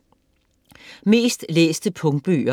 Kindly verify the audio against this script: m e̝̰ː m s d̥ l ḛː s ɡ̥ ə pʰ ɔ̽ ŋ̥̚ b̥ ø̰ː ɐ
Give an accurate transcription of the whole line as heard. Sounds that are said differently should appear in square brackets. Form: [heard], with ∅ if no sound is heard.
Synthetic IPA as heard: m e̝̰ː [∅] s d̥ l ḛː s [d̥] ə pʰ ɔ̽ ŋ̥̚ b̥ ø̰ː ɐ

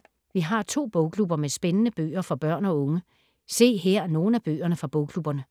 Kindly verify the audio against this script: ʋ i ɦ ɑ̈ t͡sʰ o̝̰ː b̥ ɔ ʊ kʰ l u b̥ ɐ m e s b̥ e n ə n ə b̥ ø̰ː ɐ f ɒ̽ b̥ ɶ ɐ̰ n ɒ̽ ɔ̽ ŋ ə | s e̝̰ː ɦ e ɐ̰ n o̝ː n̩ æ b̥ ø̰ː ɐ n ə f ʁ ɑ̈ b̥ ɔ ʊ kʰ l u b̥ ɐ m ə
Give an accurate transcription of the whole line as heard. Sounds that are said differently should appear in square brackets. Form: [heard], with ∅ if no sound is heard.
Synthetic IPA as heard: ʋ i ɦ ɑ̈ t͡sʰ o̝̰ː b̥ ɔ ʊ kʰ l u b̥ ɐ m e s b̥ e n ə n ə b̥ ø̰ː ɐ f ɒ̽ b̥ ɶ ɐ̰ n ɒ̽ ɔ̽ ŋ ə | s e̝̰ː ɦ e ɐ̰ n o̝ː n̩ æ b̥ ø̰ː ɐ n ə f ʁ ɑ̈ b̥ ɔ ʊ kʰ l u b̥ ɐ [n] ə

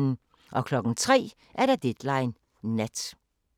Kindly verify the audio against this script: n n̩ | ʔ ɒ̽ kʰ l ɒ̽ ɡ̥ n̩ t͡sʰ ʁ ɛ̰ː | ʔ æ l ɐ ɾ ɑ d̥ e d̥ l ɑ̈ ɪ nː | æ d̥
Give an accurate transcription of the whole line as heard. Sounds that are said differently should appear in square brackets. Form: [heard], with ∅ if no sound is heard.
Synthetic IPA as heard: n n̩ | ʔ ɒ̽ kʰ l ɒ̽ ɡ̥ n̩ t͡sʰ ʁ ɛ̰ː | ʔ æ [∅] ɐ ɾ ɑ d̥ e d̥ l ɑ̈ ɪ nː | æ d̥

